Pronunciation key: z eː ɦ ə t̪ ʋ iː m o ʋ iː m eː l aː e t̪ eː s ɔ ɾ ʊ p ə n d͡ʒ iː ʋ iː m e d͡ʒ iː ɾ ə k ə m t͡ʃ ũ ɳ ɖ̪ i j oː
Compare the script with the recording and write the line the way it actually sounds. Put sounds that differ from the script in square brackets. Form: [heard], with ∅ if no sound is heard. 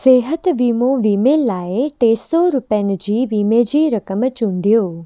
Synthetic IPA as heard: [s] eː ɦ ə t̪ ʋ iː m o ʋ iː m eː l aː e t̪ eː s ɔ ɾ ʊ p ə n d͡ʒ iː ʋ iː m e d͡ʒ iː ɾ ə k ə m t͡ʃ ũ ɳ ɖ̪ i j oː

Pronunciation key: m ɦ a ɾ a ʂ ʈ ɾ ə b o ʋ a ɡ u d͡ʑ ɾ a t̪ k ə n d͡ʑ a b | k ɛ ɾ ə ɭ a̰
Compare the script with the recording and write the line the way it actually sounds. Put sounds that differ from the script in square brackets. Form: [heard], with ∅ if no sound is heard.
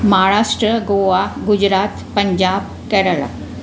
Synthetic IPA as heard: m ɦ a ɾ a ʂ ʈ ɾ ə [ɡ] o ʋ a ɡ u d͡ʑ ɾ a t̪ [p] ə [ɲ] d͡ʑ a b | k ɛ ɾ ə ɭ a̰

